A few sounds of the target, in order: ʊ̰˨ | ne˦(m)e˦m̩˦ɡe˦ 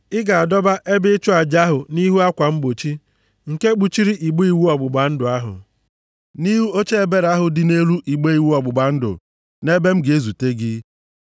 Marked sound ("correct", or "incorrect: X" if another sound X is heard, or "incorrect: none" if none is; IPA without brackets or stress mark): incorrect: b